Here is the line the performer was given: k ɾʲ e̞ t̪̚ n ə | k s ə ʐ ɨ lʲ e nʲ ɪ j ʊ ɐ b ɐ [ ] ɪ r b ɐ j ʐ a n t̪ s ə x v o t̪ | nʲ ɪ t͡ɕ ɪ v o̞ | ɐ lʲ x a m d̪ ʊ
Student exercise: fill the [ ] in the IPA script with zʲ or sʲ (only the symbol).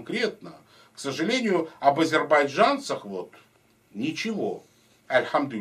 zʲ